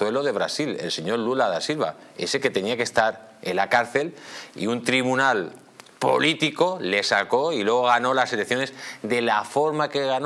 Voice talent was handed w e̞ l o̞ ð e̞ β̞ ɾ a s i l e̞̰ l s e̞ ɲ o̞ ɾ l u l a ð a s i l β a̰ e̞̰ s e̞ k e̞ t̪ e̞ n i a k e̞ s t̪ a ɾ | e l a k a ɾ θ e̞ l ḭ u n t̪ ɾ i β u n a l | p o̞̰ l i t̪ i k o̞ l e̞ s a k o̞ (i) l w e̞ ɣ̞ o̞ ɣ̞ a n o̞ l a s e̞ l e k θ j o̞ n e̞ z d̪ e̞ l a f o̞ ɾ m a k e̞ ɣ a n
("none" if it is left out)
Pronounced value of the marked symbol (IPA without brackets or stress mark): i